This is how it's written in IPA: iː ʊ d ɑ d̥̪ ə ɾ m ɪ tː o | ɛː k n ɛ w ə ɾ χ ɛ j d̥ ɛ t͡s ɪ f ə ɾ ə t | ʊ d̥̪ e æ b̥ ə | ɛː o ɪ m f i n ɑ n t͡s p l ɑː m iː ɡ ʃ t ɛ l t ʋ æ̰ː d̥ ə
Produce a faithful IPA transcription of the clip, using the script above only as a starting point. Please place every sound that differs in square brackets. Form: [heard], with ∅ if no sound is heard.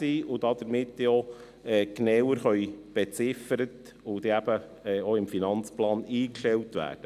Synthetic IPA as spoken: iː ʊ d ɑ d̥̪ ə ɾ m ɪ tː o | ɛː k n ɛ w ə ɾ χ [œ] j [b̥] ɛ t͡s ɪ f ə ɾ ə t | ʊ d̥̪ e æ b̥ ə | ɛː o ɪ m f i n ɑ n t͡s p l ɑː [n] iː [k] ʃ t ɛ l t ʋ æ̰ː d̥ ə